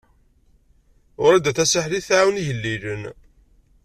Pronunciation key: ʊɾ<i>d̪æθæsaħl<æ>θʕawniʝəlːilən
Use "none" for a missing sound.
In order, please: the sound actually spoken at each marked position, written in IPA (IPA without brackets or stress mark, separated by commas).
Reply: æ, i